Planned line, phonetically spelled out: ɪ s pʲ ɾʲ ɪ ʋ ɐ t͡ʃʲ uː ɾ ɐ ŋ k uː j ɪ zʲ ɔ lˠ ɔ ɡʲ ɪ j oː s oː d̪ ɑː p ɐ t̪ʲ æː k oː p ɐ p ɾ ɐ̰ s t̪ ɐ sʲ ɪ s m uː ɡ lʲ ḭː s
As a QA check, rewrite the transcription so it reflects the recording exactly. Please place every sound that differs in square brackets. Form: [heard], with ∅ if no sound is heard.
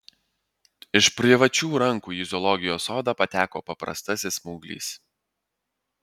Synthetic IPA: ɪ [ʃ] pʲ ɾʲ ɪ ʋ ɐ t͡ʃʲ uː ɾ ɐ ŋ k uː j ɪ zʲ ɔ lˠ ɔ ɡʲ ɪ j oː s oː d̪ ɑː p ɐ t̪ʲ æː k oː p ɐ p ɾ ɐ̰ s t̪ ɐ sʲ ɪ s m uː ɡ lʲ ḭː s